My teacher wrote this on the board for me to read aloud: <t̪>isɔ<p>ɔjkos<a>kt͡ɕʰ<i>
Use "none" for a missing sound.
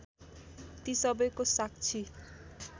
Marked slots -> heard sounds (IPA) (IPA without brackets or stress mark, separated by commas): t̪, b, a, i